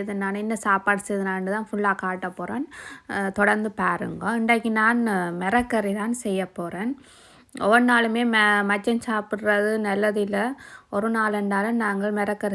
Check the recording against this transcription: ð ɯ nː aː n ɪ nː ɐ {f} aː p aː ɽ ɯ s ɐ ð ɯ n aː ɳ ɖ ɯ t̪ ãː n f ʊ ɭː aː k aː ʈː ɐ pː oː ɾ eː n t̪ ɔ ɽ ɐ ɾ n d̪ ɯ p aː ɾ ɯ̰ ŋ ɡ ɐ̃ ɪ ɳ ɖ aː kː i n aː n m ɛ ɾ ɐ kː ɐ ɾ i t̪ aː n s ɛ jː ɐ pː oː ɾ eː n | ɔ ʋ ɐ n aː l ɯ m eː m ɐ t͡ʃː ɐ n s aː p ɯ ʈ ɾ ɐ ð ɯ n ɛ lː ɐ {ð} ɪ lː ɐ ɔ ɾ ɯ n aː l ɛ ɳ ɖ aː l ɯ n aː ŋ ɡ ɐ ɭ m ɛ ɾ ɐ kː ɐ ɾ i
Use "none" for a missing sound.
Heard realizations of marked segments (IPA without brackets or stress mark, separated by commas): s, ð